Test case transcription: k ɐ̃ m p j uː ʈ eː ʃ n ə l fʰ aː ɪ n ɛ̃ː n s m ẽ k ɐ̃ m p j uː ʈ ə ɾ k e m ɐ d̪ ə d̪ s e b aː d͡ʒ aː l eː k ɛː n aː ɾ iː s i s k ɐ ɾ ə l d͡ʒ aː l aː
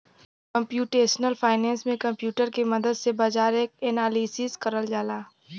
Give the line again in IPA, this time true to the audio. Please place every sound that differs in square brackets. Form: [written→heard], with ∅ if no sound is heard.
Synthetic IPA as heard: k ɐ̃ m p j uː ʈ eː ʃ n ə l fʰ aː ɪ n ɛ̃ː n s m ẽ k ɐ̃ m p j uː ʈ ə ɾ k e m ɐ d̪ ə d̪ s e b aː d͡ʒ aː [l→ɾ] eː k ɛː n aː [ɾ→l] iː s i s k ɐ ɾ ə l d͡ʒ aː l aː